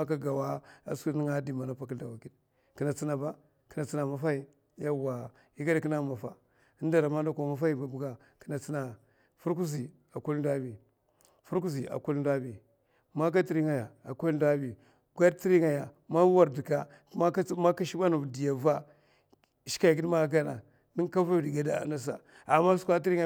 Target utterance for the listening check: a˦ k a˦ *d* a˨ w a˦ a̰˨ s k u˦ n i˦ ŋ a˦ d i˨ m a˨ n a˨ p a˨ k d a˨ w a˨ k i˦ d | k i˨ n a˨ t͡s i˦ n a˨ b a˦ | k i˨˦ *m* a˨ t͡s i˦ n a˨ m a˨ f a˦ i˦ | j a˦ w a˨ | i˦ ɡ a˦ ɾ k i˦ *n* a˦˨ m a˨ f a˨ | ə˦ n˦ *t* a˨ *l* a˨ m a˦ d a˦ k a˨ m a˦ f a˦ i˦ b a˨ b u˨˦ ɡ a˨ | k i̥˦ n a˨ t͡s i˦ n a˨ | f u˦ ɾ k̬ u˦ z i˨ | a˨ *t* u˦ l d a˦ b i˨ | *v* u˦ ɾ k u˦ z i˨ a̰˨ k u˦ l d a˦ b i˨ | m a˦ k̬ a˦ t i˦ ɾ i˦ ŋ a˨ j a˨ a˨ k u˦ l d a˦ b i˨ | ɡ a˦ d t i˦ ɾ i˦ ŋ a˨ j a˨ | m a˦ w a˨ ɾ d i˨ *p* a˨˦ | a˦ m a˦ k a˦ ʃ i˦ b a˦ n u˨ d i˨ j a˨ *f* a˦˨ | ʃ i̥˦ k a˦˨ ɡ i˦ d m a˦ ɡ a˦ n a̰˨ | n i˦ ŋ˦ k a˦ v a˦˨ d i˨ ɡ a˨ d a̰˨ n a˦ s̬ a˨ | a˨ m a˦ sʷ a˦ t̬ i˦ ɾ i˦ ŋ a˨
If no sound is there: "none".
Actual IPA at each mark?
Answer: ɡ, n, n, d, ɾ, k, f, k, v

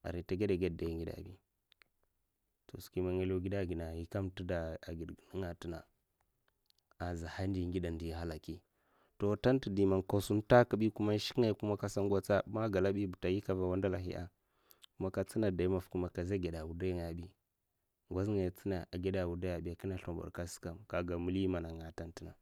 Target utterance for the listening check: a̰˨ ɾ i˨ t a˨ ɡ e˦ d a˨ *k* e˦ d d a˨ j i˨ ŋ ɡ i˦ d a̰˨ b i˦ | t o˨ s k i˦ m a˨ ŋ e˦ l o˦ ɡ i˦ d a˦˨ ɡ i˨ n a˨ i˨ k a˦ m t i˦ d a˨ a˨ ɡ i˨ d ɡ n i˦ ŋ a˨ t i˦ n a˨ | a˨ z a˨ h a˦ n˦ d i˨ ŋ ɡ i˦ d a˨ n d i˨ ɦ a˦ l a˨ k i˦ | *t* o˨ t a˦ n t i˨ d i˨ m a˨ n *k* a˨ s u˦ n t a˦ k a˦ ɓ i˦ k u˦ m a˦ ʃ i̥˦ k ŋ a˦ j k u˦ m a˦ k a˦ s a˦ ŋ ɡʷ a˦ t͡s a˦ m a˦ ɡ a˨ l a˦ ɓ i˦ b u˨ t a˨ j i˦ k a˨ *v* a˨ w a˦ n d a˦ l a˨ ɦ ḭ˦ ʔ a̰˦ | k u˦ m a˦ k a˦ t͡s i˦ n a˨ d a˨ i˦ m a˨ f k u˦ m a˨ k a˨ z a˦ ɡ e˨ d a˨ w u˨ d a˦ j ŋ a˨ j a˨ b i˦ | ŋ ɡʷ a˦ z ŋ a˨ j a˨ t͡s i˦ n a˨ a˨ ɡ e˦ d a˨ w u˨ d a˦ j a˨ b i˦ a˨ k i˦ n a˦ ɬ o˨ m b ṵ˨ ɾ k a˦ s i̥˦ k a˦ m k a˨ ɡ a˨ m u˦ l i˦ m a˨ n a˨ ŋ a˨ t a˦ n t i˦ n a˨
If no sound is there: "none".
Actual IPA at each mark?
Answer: ɡ, t, k, v

